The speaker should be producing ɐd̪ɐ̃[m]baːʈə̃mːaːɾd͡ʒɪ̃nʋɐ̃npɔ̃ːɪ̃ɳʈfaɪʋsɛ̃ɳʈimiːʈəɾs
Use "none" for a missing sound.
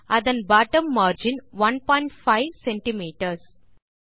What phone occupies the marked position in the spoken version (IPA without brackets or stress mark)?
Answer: n